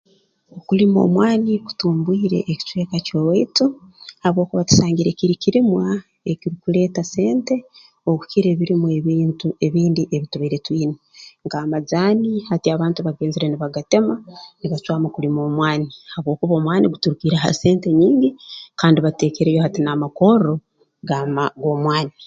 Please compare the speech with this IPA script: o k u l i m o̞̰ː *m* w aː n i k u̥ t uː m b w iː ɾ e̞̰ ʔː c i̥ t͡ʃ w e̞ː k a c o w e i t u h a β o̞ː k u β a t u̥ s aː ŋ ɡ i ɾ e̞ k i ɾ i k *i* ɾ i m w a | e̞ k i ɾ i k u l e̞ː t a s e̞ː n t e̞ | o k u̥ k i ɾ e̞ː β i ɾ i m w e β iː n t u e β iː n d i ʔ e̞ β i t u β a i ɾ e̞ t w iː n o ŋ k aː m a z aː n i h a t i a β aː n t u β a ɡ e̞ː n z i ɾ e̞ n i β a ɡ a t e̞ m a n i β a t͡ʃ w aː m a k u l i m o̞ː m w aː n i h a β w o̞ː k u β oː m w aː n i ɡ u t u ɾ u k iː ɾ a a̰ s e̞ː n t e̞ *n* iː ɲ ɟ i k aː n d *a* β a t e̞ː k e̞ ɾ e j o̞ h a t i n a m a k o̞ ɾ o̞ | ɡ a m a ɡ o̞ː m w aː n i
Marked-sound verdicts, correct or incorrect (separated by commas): correct, correct, incorrect, incorrect